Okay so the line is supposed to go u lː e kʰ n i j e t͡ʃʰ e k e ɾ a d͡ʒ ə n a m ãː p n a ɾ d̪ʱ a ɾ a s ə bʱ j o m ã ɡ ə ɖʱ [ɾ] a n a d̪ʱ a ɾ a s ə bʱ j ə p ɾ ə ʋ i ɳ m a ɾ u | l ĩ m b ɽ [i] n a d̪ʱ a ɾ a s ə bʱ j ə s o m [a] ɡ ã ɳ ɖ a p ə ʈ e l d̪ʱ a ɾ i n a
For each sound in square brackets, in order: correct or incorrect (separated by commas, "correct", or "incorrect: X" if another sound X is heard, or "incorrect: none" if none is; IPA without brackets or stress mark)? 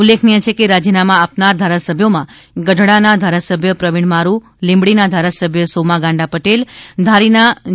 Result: incorrect: ɽ, correct, correct